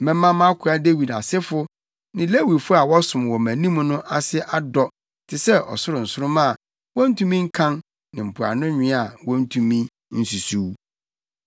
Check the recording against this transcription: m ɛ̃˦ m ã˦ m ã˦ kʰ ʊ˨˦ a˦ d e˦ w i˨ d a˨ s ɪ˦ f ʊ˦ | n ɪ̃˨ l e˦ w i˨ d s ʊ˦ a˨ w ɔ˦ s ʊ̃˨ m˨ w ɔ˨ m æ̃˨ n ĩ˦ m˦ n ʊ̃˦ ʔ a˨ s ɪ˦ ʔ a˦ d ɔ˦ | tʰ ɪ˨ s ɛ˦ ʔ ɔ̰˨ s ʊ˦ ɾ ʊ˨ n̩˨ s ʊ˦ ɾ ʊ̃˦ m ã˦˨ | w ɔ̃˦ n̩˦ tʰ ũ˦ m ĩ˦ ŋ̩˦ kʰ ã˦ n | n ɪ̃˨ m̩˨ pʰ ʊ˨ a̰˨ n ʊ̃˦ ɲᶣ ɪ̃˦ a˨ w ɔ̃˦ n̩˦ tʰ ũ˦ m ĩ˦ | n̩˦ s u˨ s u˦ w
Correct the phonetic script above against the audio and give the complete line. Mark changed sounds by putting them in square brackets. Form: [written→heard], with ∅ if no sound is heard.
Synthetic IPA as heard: m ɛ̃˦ m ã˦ m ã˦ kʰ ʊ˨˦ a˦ d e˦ w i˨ d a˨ s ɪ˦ f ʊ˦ | n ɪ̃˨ l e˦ w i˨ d [s→f] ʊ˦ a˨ w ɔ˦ s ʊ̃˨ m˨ w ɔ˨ m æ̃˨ n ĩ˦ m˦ n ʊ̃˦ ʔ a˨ s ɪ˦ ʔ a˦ d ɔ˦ | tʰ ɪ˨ s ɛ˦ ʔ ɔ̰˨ s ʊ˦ ɾ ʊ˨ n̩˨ s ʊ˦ ɾ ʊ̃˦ m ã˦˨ | w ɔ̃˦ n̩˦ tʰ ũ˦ m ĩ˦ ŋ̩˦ kʰ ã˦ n | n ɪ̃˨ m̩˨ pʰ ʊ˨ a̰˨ n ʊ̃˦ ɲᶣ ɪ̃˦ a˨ w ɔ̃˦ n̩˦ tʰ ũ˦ m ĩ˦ | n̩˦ s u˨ s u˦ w